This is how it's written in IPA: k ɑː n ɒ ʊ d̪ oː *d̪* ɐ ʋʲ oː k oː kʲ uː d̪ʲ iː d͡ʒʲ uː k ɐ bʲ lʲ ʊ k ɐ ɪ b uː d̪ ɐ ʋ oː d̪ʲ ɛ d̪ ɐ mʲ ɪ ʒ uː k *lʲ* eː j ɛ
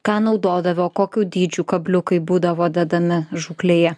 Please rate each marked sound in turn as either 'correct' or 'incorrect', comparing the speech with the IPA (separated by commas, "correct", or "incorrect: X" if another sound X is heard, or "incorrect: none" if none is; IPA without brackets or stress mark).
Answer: correct, correct